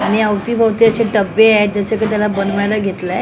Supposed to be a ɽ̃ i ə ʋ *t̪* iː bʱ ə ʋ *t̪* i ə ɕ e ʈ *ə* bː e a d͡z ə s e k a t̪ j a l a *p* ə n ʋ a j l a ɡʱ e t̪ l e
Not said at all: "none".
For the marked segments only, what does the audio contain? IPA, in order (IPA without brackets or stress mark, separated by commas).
t̪, t̪, ə, b